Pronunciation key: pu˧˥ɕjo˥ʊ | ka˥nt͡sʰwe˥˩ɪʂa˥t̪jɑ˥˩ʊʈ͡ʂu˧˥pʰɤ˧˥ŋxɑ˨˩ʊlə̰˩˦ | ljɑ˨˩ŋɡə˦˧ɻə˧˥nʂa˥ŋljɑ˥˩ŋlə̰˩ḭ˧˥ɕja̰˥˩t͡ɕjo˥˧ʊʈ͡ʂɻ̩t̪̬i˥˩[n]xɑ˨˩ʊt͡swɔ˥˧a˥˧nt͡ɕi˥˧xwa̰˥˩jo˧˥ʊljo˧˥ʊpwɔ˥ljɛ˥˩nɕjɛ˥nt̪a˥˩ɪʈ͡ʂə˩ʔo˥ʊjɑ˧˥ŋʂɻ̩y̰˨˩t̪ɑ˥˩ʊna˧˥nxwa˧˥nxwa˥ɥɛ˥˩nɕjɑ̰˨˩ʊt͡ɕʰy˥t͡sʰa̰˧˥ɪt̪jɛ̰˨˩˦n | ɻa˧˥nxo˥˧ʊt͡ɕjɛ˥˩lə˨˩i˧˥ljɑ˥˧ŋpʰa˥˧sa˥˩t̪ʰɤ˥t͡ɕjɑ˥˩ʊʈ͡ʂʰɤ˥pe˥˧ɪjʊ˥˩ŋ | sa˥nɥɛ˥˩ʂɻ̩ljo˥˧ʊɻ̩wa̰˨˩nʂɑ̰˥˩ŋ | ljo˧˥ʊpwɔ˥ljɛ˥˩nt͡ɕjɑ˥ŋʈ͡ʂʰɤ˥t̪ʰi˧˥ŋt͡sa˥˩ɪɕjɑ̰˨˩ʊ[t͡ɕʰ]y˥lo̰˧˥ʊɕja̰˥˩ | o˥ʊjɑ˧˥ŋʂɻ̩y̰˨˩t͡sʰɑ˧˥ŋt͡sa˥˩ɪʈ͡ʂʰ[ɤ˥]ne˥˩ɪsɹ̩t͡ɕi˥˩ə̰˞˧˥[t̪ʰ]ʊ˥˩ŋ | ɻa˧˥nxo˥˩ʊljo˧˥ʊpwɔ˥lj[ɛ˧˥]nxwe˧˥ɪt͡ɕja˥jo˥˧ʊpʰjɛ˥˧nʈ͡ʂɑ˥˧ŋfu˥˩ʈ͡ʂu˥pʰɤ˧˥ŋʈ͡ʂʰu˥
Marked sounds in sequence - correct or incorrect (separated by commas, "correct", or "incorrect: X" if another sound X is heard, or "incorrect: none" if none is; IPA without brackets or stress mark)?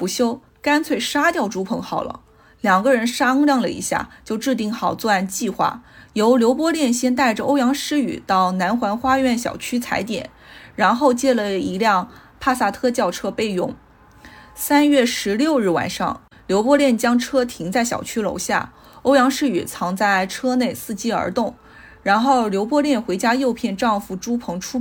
incorrect: ŋ, correct, correct, incorrect: t̪, incorrect: ɛ˥˩